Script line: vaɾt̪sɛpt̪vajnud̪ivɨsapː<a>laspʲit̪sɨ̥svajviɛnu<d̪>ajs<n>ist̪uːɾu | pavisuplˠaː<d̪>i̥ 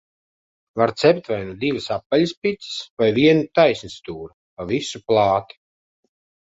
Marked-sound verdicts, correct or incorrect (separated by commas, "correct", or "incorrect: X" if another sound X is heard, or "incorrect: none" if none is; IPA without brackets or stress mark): correct, incorrect: t̪, correct, incorrect: t̪